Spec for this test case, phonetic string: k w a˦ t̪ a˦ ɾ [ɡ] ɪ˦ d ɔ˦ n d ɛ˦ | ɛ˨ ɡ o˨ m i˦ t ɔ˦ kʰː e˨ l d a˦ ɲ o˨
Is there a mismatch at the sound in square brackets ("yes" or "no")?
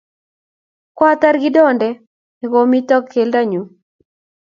no